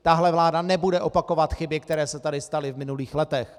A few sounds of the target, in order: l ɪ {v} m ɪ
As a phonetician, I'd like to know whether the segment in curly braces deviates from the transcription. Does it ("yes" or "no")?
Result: no